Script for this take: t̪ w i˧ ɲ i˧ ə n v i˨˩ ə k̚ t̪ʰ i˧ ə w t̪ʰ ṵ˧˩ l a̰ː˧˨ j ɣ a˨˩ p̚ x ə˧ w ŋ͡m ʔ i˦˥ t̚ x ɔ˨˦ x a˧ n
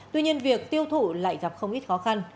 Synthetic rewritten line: t̪ w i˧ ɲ i˧ ə n v i˨˩ ə k̚ t̪ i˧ ə w t̪ʰ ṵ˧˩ l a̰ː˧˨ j ɣ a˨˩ p̚ x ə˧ w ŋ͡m ʔ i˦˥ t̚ x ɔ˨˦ x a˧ n